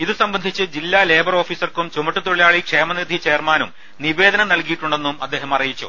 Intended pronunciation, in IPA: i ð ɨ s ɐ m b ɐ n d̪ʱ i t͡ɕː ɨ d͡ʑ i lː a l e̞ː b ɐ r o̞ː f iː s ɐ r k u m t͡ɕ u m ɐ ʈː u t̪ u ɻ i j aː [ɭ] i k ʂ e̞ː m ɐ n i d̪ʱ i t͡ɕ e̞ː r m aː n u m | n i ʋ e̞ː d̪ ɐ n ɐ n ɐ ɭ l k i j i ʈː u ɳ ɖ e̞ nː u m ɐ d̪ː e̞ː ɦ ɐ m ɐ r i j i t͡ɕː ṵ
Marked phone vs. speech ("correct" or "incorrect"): correct